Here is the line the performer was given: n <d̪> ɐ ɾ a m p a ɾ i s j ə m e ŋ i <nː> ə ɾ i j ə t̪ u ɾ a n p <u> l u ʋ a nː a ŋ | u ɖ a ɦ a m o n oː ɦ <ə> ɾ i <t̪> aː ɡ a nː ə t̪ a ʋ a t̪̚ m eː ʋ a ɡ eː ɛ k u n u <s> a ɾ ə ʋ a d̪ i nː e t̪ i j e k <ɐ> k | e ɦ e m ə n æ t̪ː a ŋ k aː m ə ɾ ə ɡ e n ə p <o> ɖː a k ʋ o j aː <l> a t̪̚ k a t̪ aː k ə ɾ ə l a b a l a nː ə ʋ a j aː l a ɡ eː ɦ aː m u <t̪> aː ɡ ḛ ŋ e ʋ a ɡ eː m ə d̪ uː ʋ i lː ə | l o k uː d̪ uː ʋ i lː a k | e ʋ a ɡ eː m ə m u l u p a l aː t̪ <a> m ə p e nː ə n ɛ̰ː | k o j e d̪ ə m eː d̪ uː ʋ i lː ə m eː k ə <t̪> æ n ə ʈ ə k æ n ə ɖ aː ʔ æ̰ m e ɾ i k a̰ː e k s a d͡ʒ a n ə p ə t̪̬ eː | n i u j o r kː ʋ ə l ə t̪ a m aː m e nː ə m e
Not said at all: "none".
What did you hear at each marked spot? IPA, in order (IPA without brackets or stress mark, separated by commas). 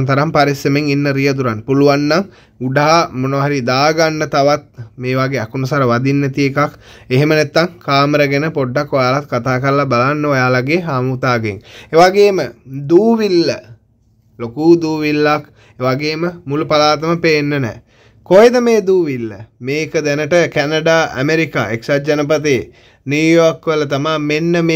t̪, nː, u, a, d̪, s, a, o, l, t̪, ə, d̪